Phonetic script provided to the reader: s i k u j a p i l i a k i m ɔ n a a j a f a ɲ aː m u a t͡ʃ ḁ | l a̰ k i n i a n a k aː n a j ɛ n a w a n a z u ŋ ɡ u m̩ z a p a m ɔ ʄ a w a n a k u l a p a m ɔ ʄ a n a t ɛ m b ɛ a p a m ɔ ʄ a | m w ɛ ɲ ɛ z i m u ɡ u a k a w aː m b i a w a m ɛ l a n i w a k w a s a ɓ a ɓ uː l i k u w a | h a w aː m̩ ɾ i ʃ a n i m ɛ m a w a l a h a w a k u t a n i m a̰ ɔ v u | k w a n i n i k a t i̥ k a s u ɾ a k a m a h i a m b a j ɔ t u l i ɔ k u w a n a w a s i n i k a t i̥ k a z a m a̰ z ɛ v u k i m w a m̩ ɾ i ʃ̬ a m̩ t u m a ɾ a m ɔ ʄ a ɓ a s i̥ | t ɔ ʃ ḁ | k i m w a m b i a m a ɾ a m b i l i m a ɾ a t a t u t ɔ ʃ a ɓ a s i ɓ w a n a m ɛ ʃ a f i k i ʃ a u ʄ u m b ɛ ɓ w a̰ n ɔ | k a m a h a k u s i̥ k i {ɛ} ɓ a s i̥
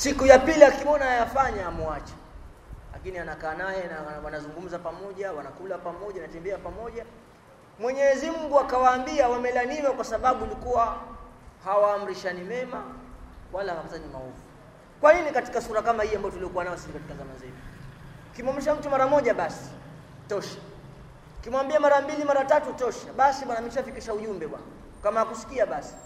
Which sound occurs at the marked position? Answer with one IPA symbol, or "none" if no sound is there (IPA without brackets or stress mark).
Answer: a